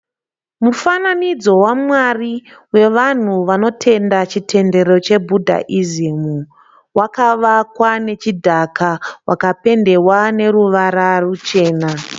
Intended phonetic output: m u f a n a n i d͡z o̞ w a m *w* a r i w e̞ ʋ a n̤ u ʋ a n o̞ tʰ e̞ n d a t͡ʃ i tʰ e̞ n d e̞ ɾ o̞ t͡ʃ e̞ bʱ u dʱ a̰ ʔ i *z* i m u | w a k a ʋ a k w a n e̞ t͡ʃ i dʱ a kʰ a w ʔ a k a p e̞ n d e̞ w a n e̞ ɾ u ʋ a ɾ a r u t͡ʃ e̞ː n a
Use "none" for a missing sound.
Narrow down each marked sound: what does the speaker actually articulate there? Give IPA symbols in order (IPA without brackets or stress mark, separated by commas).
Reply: w, z